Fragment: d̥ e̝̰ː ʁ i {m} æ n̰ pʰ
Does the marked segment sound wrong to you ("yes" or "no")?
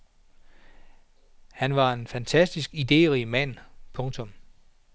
no